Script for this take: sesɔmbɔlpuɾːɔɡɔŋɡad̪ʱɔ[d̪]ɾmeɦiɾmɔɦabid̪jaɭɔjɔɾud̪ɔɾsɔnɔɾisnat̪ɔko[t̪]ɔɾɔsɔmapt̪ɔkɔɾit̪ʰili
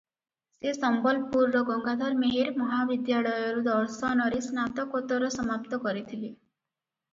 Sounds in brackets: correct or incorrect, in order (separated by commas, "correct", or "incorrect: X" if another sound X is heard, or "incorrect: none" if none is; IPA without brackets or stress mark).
incorrect: none, correct